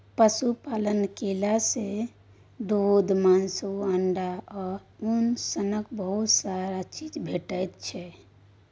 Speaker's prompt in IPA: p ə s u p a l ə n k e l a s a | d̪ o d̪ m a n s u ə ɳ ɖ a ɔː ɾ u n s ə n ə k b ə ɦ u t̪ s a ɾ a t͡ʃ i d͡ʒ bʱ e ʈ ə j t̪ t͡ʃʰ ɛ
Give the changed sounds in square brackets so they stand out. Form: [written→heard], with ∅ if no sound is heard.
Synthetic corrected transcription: p ə s u p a l ə n k e l a s [a→e] | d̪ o d̪ m a n s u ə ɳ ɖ a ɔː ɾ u n s ə n ə k b ə ɦ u t̪ s a ɾ a t͡ʃ i d͡ʒ bʱ e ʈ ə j t̪ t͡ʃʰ ɛ